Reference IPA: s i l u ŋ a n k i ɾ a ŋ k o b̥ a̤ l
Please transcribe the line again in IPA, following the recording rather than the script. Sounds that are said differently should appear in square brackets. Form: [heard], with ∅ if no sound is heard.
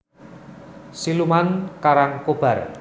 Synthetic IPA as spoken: s i l u [m] a n k [a] ɾ a ŋ k o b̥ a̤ [r]